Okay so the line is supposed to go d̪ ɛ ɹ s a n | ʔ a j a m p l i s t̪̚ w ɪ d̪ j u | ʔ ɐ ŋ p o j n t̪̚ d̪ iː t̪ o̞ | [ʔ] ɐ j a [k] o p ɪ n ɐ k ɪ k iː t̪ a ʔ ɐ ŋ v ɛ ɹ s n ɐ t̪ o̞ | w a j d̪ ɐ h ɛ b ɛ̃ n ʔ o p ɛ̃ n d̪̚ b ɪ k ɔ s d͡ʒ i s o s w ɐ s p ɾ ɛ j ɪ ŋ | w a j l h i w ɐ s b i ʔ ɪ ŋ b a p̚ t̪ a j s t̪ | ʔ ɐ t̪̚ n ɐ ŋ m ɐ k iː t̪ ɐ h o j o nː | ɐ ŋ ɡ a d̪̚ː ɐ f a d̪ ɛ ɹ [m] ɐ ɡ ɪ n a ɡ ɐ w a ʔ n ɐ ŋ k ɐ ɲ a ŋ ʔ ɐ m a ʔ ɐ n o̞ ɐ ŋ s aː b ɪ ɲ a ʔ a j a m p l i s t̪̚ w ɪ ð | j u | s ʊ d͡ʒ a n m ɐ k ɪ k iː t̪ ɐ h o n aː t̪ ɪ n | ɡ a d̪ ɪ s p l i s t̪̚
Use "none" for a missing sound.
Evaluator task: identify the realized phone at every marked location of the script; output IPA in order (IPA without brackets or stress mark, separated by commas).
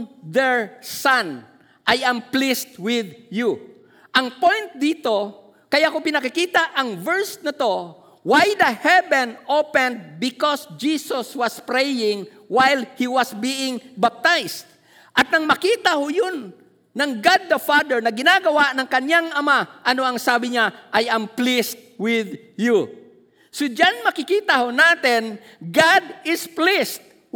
k, k, n